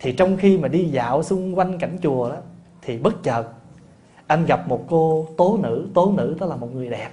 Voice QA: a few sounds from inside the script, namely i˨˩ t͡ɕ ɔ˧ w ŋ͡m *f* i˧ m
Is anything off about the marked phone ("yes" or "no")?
yes